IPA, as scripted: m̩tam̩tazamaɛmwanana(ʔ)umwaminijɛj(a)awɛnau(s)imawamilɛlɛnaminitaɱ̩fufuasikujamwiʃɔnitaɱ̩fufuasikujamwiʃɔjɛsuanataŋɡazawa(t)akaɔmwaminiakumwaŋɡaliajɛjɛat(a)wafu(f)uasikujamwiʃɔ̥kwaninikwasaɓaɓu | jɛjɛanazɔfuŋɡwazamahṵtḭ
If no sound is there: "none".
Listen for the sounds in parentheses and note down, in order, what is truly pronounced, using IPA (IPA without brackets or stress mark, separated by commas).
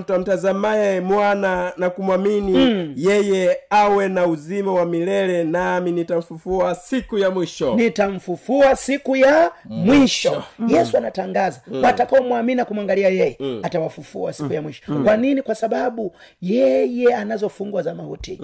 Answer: k, ɛ, z, t, a, f